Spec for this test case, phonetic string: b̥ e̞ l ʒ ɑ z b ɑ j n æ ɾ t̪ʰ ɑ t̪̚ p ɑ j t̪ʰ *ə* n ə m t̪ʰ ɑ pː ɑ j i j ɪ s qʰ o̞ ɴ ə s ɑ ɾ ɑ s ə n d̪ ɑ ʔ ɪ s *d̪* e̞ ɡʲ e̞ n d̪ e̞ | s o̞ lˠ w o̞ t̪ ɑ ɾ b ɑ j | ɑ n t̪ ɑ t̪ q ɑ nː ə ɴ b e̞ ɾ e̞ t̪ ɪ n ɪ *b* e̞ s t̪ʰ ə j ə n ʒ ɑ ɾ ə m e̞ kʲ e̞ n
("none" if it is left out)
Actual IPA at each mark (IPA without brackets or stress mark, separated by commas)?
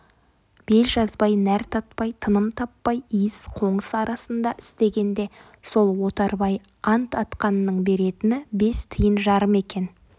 ə, t̪, b